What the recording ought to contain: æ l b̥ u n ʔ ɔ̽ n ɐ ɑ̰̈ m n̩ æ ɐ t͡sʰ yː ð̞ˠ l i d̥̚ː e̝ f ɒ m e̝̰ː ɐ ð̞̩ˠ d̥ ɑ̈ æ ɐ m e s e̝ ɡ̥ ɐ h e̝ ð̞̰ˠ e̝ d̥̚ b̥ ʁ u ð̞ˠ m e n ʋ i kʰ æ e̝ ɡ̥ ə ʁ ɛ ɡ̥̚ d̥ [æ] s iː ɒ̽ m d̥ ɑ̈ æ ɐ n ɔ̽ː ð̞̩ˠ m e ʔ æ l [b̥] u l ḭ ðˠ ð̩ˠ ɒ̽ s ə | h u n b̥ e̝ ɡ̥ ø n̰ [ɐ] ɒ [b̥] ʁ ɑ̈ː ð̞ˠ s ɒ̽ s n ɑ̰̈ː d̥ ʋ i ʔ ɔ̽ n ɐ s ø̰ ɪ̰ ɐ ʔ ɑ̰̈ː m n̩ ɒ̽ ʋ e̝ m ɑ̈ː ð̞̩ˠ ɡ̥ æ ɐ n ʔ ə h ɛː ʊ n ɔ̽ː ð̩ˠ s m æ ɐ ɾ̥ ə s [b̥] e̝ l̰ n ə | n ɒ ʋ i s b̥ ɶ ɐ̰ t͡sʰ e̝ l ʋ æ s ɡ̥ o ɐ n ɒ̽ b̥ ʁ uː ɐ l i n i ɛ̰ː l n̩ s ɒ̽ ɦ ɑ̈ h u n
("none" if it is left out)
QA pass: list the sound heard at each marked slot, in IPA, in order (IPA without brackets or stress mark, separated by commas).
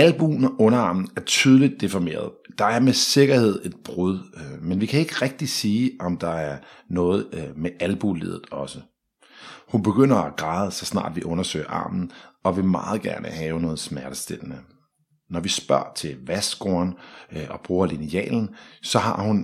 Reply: i, b̥, ɐ, ɡ̥, d̥